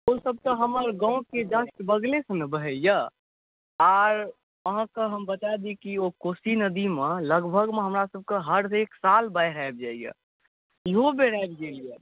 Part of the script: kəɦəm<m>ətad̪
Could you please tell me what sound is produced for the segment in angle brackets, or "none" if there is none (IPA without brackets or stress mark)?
b